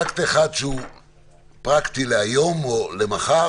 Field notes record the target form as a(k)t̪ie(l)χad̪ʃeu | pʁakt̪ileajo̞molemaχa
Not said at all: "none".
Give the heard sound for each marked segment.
k, none

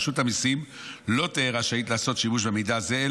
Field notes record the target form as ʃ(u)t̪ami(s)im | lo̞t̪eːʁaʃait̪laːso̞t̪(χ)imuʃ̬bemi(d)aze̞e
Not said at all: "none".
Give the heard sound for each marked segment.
u, s, ʃ, d

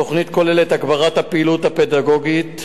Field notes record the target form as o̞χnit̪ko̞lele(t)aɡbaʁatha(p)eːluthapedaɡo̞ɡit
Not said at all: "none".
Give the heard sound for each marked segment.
t, p

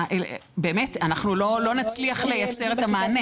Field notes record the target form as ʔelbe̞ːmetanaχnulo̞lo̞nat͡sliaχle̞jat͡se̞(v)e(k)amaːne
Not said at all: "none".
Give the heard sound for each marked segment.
ʁ, t

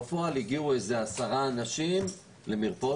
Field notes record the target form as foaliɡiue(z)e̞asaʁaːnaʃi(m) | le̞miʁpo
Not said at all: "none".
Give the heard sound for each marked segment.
z, m

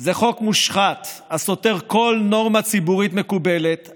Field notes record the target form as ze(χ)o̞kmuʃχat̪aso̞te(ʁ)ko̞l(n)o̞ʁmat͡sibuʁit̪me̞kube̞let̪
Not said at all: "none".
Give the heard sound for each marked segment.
χ, ʁ, n

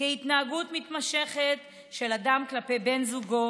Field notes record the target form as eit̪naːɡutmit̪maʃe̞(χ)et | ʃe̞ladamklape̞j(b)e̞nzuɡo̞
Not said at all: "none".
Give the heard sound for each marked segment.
χ, b

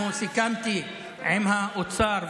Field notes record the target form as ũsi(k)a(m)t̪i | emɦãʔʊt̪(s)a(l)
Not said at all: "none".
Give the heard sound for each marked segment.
k, m, s, ɾ

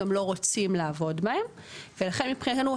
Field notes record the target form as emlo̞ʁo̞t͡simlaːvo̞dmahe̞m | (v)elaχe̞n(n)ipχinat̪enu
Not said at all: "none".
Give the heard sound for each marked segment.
v, m

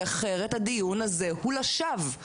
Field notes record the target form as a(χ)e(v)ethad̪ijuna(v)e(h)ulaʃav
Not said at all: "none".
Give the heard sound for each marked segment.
χ, ʁ, z, h

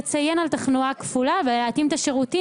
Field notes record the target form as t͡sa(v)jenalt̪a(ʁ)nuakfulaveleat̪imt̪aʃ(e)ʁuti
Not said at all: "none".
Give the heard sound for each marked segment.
none, χ, e

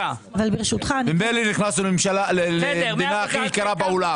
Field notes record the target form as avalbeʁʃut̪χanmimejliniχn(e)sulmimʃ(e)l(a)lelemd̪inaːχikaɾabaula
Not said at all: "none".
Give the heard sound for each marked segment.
a, a, a

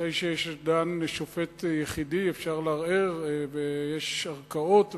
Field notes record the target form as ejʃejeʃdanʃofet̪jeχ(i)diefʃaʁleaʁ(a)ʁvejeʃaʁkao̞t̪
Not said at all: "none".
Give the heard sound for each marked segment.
i, e

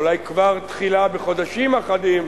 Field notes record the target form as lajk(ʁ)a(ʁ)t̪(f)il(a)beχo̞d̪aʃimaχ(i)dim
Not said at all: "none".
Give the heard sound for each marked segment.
v, ʁ, χ, a, a

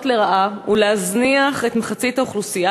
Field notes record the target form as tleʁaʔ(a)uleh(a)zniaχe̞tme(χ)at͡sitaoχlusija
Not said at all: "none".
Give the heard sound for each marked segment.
a, a, χ

